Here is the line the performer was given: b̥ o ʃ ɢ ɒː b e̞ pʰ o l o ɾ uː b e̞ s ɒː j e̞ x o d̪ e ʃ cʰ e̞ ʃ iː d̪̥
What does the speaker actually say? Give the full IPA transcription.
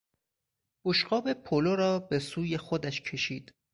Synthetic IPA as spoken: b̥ o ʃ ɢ ɒː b e̞ pʰ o l o ɾ ɒː b e̞ s uː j e̞ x o d̪ æ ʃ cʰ e̞ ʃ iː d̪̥